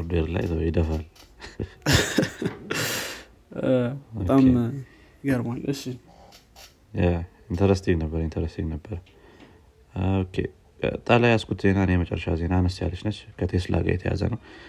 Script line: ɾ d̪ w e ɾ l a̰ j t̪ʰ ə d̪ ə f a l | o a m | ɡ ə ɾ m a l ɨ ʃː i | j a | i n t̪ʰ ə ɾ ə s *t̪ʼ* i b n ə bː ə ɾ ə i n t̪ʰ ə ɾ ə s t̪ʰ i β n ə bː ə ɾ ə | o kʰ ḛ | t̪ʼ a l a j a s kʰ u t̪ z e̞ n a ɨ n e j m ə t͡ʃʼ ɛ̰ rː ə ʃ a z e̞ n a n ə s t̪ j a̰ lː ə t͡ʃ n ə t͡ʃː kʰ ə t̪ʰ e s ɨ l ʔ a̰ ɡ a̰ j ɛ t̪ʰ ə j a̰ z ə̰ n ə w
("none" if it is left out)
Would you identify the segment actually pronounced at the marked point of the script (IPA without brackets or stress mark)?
t̪